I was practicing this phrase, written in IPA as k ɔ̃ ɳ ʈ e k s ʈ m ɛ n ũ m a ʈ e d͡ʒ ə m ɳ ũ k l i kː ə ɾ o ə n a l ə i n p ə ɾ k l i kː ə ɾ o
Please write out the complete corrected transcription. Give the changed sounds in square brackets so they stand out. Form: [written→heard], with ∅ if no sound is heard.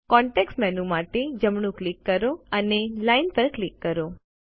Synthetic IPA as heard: k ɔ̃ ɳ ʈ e k s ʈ m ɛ n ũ m a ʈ e d͡ʒ ə m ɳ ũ k l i kː ə ɾ o ə n [a→e] l [ə→a] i n p ə ɾ k l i kː ə ɾ o